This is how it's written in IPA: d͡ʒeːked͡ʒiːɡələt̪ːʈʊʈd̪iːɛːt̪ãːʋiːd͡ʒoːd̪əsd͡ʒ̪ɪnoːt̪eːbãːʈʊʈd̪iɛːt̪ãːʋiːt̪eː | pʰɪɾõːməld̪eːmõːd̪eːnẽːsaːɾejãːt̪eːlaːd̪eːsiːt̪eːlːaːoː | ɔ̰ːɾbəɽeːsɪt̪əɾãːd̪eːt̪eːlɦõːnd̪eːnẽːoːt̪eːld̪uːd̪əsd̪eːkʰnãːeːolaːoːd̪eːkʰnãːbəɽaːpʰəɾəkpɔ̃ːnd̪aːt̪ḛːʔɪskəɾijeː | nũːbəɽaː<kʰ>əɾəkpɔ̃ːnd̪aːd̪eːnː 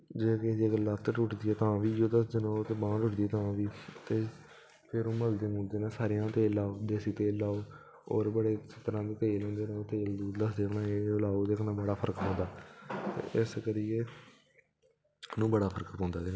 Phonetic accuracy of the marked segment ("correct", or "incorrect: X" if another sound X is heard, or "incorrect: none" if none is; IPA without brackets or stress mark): incorrect: pʰ